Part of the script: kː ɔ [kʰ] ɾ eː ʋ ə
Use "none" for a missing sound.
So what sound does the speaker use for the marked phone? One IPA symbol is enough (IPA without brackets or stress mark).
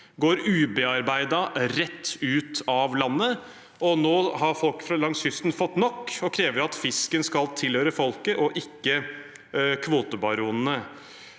kʰ